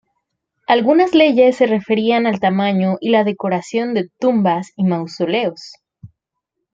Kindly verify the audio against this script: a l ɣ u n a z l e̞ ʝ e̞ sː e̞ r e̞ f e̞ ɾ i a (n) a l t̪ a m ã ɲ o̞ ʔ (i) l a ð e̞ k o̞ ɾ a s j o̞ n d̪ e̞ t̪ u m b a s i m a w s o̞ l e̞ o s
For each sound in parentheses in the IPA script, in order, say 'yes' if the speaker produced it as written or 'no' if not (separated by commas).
yes, yes